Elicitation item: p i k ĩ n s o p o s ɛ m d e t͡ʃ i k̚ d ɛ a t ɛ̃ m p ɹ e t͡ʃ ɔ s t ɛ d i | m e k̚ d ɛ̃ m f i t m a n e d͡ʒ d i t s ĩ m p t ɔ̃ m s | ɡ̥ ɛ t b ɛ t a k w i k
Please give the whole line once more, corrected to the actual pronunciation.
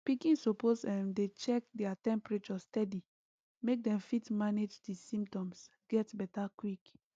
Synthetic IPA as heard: p i k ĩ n s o p o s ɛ m d e t͡ʃ ɛ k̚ d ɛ a t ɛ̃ m p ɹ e t͡ʃ ɔ s t ɛ d i | m e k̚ d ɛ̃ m f i t m a n e d͡ʒ d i s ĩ m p t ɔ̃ m s | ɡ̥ ɛ t b ɛ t a k w i k

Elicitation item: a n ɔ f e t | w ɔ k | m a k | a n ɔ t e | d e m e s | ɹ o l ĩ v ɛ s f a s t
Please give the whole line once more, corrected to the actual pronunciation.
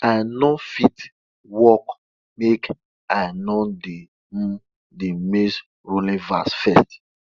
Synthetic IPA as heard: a n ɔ f i t | w ɔ k | m e k | a n ɔ d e | d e m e s | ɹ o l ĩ v a s f ɛ s t

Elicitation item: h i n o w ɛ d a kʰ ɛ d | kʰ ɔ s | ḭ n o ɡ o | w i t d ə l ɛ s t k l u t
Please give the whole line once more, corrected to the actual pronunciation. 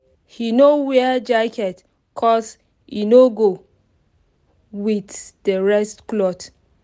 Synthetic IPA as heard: h i n o w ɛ d͡ʒ a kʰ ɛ t | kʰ ɔ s | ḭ n o ɡ o | w i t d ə ɹ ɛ s t k l ɔ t

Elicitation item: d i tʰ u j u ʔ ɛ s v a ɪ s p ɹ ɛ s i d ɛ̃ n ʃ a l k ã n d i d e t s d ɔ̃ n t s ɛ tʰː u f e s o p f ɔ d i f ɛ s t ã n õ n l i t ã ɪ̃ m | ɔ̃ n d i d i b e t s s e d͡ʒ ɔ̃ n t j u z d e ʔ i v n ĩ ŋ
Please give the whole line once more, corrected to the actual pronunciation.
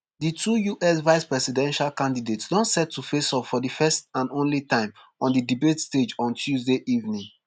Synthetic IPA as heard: d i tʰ u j u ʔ ɛ s v a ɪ s p ɹ ɛ s i d ɛ̃ n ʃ a l k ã n d i d e t s d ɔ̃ n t s ɛ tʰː u f e s ɔ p f ɔ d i f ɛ s t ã n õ n l i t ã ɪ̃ m | ɔ̃ n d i d i b e t s t e d͡ʒ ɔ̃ n t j u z d e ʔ i v n ĩ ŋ

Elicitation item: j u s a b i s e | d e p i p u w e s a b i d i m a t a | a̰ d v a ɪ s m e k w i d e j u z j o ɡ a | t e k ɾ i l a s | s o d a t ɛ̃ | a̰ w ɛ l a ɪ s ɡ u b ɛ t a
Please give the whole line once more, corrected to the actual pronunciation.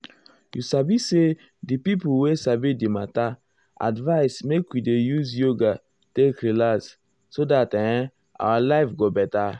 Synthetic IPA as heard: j u s a b i s e | d i p i p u w e s a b i d i m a t a | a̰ d v a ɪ s m e k w i d e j u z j o ɡ a | t e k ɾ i l a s | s o d a t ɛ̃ | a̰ w a l a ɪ f ɡ o b ɛ t a

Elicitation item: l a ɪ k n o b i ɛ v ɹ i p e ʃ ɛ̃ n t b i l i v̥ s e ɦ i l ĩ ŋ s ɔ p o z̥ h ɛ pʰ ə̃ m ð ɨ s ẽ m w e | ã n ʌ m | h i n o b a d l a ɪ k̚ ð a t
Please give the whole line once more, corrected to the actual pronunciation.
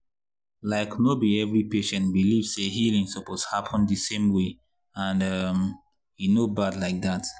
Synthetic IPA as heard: l a ɪ k n o b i ɛ v ɹ i p e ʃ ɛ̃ n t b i l i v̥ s e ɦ i l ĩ ŋ s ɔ p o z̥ h a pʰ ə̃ n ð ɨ s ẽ m w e | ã n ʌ m | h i n o b a d l a ɪ k̚ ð a t

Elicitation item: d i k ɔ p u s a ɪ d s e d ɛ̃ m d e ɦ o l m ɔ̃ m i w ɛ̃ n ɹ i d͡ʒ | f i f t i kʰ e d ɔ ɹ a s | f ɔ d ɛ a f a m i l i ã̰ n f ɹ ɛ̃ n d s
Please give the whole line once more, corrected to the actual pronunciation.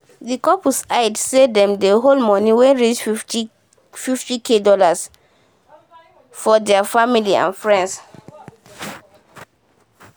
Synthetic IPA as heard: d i k ɔ p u s a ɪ d s e d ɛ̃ m d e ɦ o l m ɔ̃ n i w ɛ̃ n ɹ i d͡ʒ | f i f t i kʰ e d ɔ l a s | f ɔ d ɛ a f a m i l i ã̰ n f ɹ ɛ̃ n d s

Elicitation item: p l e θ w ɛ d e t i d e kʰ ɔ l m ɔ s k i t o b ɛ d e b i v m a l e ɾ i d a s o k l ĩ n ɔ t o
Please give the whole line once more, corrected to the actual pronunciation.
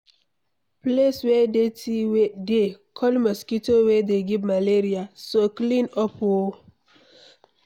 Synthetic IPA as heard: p l e s w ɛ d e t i d e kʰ ɔ l m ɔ s k i t o w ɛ d e ɡ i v m a l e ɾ i a s o k l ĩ n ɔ p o

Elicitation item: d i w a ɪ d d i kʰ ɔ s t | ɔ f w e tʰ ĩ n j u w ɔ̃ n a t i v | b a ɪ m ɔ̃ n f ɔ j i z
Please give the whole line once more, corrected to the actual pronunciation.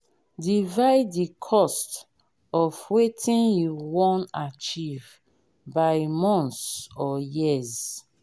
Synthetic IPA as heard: d i v a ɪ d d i kʰ ɔ s t | ɔ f w e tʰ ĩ n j u w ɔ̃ n a t͡ʃ i v | b a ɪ m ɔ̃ n s ɔ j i z

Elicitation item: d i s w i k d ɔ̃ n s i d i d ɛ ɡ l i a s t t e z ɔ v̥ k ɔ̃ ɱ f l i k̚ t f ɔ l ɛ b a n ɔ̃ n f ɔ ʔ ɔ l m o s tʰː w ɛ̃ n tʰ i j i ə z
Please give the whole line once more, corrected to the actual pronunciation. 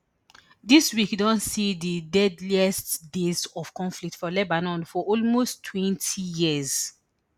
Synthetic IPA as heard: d i s w i k d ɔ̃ n s i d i d ɛ d l i ɛ s t d e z ɔ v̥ k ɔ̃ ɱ f l i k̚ t f ɔ l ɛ b a n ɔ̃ n f ɔ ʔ ɔ l m o s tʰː w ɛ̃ n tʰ i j i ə z

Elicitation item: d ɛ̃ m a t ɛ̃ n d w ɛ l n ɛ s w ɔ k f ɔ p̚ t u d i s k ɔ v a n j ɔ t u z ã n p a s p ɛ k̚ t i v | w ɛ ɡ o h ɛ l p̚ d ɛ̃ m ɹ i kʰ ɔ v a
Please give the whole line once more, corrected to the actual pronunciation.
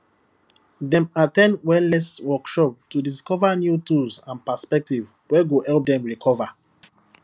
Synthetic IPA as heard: d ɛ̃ m a t ɛ̃ n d w ɛ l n ɛ s w ɔ k ʃ ɔ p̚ t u d i s k ɔ v a n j u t u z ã n p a s p ɛ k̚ t i v | w ɛ ɡ o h ɛ l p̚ d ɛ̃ m ɹ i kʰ ɔ v a

